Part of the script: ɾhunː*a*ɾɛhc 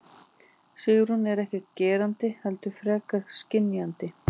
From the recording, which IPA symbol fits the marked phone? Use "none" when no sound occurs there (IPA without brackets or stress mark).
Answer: ɛ